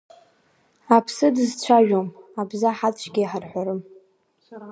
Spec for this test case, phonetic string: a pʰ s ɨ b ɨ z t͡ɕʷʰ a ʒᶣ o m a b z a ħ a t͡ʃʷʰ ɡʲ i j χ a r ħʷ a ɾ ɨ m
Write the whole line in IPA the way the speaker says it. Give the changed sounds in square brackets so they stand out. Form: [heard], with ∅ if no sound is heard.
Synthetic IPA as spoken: a pʰ s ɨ [d] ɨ z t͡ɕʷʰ a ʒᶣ o m a b z a ħ a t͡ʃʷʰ ɡʲ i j [ħ] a r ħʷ a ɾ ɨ m